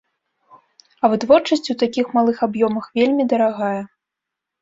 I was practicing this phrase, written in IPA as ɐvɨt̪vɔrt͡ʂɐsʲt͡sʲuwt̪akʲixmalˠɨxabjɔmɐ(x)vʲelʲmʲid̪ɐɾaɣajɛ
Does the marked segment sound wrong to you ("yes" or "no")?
no